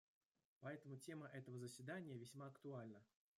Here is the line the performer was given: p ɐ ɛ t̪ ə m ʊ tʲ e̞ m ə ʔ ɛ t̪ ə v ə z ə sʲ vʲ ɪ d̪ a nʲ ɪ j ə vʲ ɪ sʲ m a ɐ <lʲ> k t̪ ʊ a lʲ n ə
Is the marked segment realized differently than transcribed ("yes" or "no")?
yes